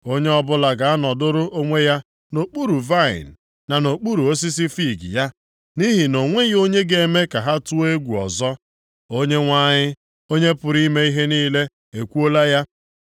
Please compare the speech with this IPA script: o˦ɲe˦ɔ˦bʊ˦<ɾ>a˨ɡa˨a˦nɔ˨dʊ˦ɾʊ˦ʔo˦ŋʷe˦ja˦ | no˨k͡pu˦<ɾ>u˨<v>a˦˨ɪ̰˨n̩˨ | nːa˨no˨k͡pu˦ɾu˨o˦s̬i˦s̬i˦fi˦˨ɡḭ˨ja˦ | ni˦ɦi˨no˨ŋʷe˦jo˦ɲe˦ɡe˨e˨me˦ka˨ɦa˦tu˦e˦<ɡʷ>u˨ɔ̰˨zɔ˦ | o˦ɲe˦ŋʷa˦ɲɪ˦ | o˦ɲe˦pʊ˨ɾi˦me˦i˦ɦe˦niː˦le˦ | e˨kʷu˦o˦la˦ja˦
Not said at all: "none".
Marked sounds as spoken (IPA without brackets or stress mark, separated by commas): l, ɾ, v, ɡʷ